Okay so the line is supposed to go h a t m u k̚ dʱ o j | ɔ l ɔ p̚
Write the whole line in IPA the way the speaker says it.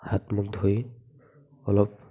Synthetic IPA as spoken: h a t m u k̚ dʱ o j | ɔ l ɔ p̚